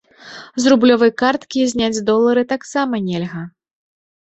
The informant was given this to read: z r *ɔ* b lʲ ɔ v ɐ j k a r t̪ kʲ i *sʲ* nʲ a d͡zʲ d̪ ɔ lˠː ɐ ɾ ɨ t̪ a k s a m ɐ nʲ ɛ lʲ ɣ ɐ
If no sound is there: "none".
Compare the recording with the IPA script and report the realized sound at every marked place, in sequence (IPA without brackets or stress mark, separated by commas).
u, zʲ